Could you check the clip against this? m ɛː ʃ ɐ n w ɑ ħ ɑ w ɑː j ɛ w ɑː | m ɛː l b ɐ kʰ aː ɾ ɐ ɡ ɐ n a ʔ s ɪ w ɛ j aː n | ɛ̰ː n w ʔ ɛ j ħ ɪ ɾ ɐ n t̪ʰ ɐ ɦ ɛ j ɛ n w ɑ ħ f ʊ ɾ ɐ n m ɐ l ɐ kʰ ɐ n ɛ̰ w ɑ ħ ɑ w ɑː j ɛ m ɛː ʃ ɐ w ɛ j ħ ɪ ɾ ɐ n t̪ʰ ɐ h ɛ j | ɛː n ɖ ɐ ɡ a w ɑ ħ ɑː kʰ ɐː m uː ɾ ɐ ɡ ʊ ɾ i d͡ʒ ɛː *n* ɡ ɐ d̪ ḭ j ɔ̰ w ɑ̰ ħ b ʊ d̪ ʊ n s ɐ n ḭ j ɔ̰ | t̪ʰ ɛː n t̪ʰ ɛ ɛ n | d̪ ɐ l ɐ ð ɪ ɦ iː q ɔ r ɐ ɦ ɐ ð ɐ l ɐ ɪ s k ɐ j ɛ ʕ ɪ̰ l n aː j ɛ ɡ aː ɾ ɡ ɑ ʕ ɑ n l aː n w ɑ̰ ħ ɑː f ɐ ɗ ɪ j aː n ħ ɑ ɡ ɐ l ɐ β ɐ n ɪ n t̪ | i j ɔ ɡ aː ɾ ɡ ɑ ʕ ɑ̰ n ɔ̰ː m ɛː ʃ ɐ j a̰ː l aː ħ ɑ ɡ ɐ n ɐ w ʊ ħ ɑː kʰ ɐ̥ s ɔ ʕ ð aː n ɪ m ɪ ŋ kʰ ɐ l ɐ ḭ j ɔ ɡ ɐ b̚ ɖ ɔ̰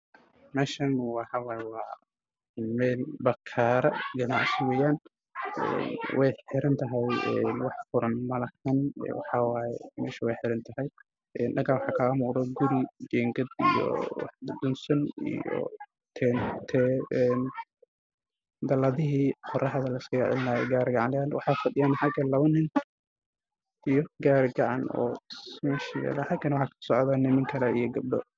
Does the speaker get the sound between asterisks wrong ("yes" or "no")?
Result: yes